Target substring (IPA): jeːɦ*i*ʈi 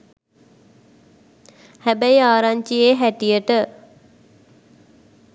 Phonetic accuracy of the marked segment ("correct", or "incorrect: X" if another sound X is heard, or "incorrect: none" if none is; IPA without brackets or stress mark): incorrect: æ